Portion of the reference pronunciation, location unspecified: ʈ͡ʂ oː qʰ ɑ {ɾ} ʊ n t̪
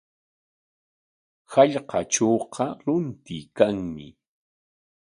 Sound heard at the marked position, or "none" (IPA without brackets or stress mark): ɾ